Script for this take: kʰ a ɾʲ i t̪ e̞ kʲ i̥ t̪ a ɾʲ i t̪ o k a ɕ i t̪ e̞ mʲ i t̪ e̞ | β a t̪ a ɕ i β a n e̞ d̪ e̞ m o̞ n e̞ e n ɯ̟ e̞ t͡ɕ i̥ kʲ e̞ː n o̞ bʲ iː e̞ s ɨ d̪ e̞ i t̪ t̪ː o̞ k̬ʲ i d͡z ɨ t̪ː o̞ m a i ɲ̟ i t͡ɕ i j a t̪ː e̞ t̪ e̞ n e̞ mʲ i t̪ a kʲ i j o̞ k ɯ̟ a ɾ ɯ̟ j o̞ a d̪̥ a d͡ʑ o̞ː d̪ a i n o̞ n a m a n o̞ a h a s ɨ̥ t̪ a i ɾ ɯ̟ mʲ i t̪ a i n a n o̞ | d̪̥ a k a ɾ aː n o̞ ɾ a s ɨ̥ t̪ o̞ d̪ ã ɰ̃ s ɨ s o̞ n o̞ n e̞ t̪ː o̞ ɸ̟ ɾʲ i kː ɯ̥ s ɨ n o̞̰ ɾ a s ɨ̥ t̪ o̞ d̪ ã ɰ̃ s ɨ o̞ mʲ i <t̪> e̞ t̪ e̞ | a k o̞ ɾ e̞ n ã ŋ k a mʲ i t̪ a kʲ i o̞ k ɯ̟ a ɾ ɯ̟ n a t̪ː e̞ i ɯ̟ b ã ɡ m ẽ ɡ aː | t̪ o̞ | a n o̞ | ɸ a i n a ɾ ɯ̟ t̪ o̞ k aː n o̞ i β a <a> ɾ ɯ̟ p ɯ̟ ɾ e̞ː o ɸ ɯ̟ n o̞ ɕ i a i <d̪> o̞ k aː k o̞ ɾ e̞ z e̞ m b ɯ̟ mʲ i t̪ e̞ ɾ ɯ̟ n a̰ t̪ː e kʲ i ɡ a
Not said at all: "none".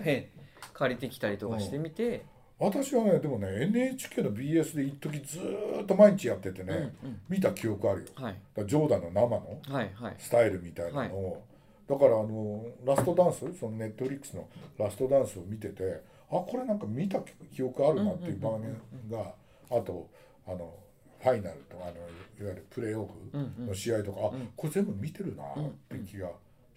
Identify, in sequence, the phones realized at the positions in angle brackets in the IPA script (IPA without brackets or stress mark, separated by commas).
t̪, i, t̪